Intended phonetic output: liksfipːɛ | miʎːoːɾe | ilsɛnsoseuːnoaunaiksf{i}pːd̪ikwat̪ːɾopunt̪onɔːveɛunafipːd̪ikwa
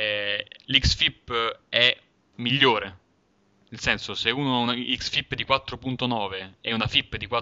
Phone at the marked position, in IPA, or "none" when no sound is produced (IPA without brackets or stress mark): i